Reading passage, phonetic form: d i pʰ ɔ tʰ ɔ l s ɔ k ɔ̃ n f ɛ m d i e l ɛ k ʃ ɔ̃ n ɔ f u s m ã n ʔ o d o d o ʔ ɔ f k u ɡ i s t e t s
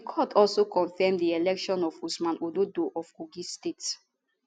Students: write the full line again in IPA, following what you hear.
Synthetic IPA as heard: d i kʰ ɔ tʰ ɔ l s o k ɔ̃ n f ɛ m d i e l ɛ k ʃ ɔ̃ n ɔ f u s m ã n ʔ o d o d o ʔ ɔ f k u ɡ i s t e t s